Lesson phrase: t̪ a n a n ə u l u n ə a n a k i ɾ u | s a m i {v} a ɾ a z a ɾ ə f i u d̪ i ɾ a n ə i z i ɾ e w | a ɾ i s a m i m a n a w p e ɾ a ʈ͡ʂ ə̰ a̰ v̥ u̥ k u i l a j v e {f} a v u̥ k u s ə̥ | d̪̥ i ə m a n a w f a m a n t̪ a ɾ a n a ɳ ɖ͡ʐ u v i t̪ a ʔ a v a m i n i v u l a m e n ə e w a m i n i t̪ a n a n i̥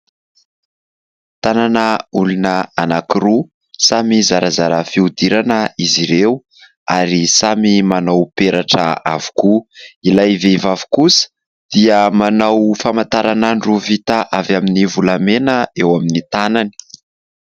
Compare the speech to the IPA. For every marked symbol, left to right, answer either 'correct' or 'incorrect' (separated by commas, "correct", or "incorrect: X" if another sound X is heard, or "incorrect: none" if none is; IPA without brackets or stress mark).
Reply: incorrect: z, incorrect: v